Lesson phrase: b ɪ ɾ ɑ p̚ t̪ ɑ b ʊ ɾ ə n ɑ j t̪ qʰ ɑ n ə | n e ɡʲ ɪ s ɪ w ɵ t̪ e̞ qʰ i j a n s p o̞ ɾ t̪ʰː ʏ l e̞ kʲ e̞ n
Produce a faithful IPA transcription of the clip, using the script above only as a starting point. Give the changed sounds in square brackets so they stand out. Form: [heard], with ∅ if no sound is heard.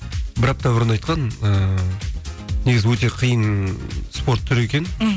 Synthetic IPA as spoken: b ɪ ɾ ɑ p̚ t̪ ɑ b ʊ ɾ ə n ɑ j t̪ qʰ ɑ n ə | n e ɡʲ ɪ [z] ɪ w ɵ t̪ e̞ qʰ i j [ə] n s p o̞ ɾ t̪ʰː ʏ [ɾ] e̞ kʲ e̞ n